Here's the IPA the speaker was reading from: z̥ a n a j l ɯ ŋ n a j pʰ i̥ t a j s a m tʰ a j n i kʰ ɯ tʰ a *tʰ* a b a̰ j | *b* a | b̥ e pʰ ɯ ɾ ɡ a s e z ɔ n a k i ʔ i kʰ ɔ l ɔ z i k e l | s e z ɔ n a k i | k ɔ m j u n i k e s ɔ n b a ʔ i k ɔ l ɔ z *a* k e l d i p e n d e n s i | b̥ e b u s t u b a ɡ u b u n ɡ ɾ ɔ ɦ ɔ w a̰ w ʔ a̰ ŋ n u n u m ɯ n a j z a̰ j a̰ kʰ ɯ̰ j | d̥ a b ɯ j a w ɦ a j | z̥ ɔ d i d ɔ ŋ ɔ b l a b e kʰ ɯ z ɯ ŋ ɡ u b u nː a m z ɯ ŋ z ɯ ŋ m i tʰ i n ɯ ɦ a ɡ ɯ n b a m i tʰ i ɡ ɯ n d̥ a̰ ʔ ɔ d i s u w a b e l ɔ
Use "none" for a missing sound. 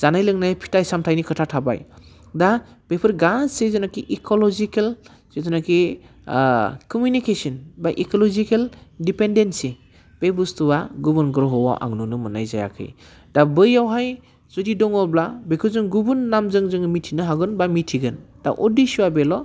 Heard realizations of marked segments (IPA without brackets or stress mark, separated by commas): tʰ, d, i